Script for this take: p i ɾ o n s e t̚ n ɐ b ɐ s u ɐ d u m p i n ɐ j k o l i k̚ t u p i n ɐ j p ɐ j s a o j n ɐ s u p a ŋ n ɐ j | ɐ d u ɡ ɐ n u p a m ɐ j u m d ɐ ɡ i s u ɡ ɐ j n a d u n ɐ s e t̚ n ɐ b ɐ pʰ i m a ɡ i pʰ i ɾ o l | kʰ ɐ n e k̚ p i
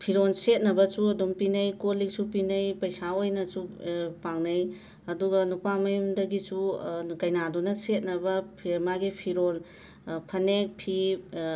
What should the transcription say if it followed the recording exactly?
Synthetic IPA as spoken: pʰ i ɾ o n s e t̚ n ɐ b ɐ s u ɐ d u m p i n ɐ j k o l i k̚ s u p i n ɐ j p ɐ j s a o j n ɐ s u p a ŋ n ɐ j | ɐ d u ɡ ɐ n u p a m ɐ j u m d ɐ ɡ i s u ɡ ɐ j n a d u n ɐ s e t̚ n ɐ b ɐ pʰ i m a ɡ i pʰ i ɾ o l | pʰ ɐ n e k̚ pʰ i